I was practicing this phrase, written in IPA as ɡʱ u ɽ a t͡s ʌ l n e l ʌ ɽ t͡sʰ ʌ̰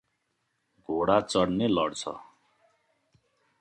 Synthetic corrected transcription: ɡʱ o ɽ a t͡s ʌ ɽ n e l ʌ ɽ t͡sʰ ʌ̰